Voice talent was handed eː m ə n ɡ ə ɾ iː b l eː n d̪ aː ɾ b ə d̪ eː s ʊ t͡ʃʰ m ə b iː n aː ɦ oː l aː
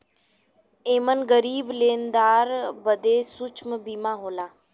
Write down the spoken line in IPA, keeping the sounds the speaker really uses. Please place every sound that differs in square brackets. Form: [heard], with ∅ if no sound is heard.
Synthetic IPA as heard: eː m ə n ɡ ə ɾ iː b l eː n d̪ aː ɾ b ə d̪ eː s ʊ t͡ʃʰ m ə b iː [m] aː ɦ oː l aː